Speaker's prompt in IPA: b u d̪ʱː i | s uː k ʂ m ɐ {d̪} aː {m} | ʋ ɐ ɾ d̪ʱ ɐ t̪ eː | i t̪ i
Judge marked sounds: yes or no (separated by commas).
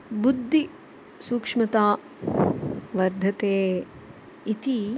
no, no